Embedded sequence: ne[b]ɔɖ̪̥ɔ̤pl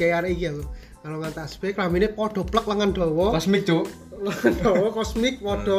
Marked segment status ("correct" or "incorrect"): incorrect